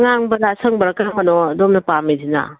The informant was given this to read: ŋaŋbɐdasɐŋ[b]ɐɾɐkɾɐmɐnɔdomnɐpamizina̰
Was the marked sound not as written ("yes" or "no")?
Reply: no